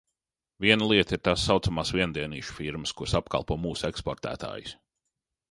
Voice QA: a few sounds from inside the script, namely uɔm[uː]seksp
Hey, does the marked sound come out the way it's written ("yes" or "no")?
yes